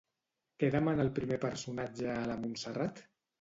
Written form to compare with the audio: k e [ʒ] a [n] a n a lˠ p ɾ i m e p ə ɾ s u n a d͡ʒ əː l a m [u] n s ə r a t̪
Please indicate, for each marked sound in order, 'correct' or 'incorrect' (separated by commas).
incorrect, incorrect, correct